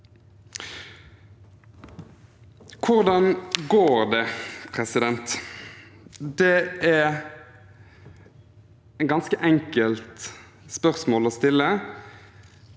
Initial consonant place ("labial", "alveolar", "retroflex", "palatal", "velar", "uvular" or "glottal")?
velar